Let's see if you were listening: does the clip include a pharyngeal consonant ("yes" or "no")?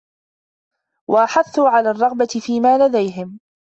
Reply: yes